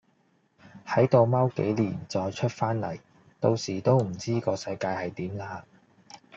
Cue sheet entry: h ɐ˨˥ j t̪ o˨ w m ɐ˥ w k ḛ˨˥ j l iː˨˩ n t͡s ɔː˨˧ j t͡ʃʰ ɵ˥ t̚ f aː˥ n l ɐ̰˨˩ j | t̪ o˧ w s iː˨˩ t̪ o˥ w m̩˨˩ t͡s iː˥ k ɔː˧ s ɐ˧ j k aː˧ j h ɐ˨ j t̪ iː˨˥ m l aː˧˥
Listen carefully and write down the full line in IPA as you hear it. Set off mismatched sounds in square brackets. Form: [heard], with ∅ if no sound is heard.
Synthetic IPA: h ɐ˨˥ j t̪ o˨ w m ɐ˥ w k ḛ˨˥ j l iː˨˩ n t͡s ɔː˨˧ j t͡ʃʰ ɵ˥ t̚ f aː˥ n l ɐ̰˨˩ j | t̪ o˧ w s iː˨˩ t̪ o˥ w m̩˨˩ t͡s iː˥ k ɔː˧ s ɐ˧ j k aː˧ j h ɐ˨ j t̪ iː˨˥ m l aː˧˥